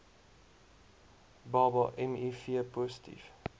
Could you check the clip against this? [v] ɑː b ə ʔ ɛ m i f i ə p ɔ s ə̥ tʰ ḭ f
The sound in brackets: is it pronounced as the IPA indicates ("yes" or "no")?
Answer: no